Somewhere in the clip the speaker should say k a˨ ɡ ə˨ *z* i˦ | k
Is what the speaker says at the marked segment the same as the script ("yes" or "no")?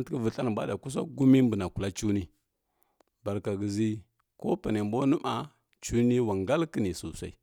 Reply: yes